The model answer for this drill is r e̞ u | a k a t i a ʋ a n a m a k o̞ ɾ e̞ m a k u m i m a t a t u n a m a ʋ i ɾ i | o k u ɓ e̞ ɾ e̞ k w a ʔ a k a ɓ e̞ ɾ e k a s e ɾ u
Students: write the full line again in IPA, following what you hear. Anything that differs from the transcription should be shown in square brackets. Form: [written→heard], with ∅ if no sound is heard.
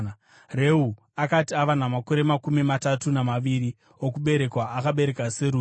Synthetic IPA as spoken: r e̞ u | a k a t i a ʋ a n a m a k o̞ ɾ e̞ m a k u m i m a t a t u n a m a ʋ i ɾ i | o k u ɓ e̞ ɾ e̞ k w a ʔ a k a ɓ e̞ ɾ e k a s e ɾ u